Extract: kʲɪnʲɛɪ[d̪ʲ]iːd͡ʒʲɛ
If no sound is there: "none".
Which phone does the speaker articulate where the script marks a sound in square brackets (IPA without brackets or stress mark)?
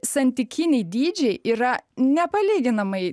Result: d̪ʲ